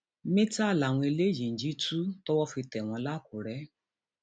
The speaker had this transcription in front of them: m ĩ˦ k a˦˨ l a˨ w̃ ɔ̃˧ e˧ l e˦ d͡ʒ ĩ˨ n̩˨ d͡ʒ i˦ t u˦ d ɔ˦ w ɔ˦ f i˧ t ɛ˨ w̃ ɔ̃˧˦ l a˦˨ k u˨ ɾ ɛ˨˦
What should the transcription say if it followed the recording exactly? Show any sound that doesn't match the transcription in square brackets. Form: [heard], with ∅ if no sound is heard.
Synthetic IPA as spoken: m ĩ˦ [t] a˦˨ l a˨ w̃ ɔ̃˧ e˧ l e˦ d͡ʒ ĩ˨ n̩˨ d͡ʒ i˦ t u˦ [t] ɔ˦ w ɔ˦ f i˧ t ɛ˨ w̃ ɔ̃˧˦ l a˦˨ k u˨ ɾ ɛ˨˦

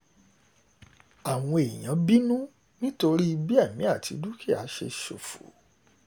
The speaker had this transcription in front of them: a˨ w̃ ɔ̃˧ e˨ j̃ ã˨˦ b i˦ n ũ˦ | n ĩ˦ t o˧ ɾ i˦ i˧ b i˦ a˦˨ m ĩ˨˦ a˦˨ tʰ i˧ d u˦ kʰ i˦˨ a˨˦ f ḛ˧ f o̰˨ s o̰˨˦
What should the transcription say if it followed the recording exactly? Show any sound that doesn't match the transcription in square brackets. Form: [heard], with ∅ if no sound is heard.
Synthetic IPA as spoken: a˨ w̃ ɔ̃˧ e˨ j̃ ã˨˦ b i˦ n ũ˦ | n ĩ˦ t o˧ ɾ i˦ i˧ b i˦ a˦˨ m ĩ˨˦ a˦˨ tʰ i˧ d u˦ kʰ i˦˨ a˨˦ [ʃ] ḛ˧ [ʃ] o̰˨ [f] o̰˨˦

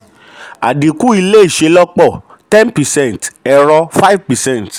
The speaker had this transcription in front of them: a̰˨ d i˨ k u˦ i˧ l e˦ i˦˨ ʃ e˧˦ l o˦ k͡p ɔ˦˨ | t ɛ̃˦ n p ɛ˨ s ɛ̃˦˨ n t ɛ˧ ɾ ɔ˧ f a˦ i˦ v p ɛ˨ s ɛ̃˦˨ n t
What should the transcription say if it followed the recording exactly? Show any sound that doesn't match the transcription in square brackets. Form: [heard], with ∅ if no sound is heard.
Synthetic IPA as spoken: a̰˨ d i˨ k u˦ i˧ l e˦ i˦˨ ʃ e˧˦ l [ɔ˦] k͡p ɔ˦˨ | t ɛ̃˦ n p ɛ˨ s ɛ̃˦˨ n t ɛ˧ ɾ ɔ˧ f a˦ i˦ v p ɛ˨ s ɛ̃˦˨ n t

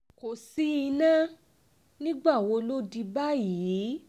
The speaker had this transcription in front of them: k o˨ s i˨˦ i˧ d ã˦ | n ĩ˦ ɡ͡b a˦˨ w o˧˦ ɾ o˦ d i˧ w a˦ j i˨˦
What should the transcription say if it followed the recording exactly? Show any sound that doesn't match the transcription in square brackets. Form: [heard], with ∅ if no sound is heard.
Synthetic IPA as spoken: k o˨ s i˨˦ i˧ [n] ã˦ | n ĩ˦ ɡ͡b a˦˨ w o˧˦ [l] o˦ d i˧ [b] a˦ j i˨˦

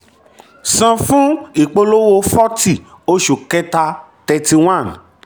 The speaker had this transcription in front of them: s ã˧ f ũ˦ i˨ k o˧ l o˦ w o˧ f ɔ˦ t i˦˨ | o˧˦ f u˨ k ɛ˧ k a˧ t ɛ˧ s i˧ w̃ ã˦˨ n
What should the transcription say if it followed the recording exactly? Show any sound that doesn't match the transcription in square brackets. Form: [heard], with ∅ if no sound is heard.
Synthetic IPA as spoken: s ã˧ f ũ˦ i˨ [k͡p] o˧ l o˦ w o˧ f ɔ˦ t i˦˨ | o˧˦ [ʃ] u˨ k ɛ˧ [t] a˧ t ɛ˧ [t] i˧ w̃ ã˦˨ n

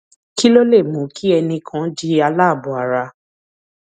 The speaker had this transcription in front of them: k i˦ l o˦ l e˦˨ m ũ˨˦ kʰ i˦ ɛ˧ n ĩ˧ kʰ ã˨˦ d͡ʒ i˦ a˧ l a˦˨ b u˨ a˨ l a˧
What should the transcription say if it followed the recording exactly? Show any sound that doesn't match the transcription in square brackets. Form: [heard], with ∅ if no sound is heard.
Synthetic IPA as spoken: k i˦ l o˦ l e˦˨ m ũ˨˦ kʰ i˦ ɛ˧ n ĩ˧ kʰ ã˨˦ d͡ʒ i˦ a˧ l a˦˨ b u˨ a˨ [ɾ] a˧

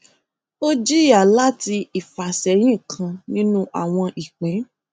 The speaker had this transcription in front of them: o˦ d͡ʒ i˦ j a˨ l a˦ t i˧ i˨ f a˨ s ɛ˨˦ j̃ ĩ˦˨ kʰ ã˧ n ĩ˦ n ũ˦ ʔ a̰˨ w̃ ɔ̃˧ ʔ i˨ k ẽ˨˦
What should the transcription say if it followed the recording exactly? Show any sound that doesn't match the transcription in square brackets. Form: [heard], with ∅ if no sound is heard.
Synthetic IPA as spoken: o˦ d͡ʒ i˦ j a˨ l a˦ t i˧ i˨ f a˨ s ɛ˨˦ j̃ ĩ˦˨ kʰ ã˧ n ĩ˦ n ũ˦ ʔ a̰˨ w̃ ɔ̃˧ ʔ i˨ [k͡p] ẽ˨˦

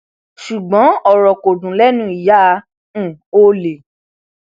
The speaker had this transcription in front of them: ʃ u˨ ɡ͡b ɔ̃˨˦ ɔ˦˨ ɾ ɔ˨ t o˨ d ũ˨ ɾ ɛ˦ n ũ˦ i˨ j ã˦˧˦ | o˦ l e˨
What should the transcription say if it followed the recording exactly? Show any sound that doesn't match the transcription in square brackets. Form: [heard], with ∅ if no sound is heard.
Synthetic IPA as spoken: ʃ u˨ ɡ͡b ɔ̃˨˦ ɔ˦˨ ɾ ɔ˨ [k] o˨ d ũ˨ [l] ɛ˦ n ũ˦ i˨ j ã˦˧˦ | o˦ l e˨

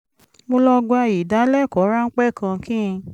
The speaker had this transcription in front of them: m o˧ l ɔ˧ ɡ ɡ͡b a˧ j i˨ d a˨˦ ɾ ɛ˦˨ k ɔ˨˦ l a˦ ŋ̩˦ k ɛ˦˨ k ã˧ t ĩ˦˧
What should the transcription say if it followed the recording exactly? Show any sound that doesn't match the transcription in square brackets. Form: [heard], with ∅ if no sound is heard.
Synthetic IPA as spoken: m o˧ l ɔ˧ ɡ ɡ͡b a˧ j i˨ d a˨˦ [l] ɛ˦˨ k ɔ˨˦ [ɾ] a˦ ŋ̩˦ [k͡p] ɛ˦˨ k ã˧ [k] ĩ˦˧

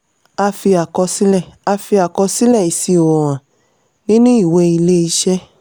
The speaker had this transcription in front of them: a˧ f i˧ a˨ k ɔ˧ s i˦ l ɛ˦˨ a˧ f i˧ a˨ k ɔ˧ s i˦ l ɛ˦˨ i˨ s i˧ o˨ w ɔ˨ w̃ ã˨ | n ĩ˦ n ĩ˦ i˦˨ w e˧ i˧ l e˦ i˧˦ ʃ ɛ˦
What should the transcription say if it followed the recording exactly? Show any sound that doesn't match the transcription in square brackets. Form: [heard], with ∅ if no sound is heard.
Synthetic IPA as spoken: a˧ f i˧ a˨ k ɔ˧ s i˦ l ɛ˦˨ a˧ f i˧ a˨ k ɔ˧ s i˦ l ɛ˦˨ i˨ s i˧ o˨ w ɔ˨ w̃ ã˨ | n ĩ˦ n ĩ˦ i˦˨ w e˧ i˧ l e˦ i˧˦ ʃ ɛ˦

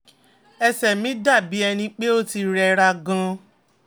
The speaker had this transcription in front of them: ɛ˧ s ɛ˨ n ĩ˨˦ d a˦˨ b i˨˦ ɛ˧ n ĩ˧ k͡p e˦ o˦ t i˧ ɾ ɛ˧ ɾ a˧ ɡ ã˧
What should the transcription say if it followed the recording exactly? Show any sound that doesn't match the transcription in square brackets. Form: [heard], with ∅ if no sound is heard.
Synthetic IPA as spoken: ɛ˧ s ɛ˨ [m] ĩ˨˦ d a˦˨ b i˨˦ ɛ˧ n ĩ˧ k͡p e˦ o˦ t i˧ ɾ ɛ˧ ɾ a˧ ɡ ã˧

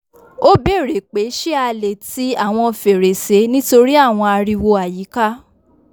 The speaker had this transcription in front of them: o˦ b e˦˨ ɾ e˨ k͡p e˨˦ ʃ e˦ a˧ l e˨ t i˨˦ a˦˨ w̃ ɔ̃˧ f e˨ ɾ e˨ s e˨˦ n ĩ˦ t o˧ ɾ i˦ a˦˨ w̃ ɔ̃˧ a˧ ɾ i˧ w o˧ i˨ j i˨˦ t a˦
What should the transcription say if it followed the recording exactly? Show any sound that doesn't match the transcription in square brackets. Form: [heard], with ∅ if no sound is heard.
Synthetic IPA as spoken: o˦ b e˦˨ ɾ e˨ k͡p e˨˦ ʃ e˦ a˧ l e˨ t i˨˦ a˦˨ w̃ ɔ̃˧ f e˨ ɾ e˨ s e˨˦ n ĩ˦ t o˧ ɾ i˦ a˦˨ w̃ ɔ̃˧ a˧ ɾ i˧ w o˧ [a˨] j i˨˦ [k] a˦

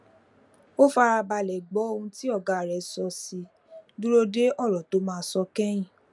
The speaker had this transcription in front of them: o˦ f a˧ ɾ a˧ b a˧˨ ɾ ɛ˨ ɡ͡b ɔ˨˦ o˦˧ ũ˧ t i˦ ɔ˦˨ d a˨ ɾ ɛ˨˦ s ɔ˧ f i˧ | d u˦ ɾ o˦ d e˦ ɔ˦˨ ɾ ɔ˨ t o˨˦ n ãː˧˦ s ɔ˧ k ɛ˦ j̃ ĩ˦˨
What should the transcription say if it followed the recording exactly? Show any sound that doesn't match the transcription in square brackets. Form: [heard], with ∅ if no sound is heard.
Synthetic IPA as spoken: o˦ f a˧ ɾ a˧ b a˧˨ [l] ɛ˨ ɡ͡b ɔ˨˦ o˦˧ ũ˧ t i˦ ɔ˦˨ [ɡ] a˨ ɾ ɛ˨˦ s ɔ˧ [s] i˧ | d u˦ ɾ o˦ d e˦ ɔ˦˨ ɾ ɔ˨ t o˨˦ [m] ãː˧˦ s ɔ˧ k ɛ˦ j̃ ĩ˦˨

